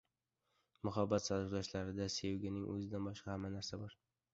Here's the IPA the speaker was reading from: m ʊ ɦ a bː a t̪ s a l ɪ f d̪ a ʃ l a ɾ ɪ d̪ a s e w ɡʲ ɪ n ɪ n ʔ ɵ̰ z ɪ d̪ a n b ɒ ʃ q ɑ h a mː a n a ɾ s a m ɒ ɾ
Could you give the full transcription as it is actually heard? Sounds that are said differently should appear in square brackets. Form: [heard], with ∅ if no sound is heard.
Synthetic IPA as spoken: m ʊ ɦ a bː a t̪ s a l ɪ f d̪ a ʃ l a ɾ ɪ d̪ a s e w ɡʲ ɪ n ɪ [ŋ] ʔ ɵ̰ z ɪ d̪ a n b ɒ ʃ q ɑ h a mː a n a ɾ s a [b] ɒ ɾ